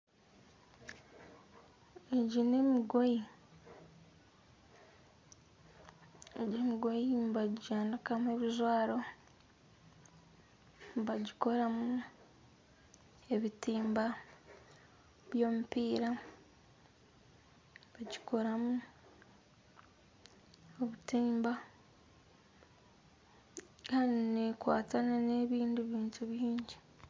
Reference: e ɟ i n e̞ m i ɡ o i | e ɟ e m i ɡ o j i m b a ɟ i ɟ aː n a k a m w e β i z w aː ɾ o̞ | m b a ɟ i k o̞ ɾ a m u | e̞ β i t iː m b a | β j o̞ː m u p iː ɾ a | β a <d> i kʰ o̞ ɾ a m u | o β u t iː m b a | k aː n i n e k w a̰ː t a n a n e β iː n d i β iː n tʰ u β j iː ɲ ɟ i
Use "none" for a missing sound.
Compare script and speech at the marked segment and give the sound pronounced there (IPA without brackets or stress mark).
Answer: ɟ